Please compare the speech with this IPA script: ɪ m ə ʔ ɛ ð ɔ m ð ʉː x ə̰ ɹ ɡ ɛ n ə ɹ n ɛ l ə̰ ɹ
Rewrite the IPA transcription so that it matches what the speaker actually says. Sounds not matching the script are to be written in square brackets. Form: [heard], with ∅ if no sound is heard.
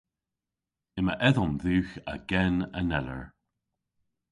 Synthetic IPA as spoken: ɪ m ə ʔ ɛ ð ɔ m ð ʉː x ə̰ [∅] ɡ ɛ n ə [∅] n ɛ l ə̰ ɹ